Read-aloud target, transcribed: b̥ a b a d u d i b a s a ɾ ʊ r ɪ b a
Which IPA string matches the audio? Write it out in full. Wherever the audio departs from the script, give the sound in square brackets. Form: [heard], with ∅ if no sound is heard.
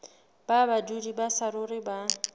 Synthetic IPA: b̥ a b a d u d i b a s a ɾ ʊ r ɪ b a